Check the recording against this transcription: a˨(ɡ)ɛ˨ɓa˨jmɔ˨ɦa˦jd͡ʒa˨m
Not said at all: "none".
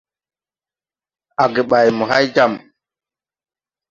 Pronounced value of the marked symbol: ɡ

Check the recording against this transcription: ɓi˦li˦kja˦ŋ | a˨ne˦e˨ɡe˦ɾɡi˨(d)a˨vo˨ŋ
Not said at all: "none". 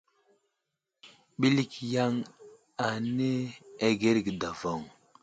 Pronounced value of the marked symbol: d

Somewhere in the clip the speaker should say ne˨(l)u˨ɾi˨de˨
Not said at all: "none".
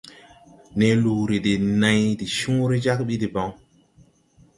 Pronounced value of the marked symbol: l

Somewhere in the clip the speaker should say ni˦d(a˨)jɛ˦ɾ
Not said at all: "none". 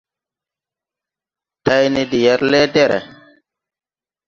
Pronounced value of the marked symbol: i˨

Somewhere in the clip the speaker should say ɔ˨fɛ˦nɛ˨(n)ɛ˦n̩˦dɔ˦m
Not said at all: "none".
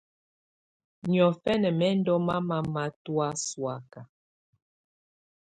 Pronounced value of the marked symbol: m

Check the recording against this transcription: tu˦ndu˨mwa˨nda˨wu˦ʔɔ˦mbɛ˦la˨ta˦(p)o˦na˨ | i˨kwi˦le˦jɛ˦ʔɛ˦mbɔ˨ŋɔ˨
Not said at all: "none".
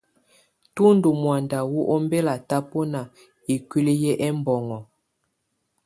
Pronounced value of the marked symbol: p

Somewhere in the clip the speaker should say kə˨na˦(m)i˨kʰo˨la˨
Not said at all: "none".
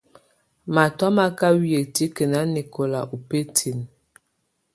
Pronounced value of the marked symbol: n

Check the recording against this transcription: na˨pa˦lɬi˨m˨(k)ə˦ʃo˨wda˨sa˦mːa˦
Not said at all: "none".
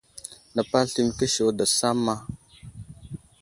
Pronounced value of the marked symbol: k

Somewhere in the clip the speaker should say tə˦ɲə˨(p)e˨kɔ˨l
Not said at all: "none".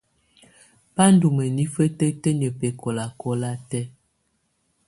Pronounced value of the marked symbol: p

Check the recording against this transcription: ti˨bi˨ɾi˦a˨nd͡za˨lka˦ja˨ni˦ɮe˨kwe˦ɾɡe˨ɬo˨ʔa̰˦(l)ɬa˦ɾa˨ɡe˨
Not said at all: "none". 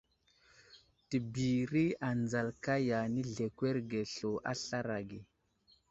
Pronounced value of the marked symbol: none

